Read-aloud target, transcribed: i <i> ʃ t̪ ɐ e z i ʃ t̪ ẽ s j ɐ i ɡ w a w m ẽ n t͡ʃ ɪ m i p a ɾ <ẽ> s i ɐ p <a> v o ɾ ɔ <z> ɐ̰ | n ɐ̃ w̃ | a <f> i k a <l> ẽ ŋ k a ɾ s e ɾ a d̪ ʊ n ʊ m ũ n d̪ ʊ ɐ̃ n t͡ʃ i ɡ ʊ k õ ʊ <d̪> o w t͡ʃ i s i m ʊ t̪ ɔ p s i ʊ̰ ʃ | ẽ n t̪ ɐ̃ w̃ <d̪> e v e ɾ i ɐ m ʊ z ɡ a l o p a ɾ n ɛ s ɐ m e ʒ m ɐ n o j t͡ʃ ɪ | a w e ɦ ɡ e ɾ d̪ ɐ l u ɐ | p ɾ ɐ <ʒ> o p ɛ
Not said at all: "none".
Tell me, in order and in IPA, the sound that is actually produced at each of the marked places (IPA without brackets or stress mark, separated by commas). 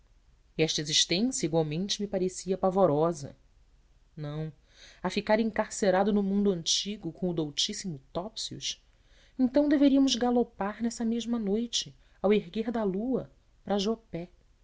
ɛ, e, a, z, f, ɾ, d̪, d̪, ʒ